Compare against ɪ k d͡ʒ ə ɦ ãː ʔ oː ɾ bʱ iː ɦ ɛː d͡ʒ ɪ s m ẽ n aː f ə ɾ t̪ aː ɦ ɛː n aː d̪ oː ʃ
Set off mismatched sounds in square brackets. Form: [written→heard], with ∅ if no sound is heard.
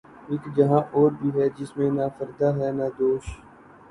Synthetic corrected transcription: ɪ k d͡ʒ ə ɦ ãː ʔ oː ɾ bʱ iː ɦ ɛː d͡ʒ ɪ s m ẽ n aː f ə ɾ [t̪→d̪] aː ɦ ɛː n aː d̪ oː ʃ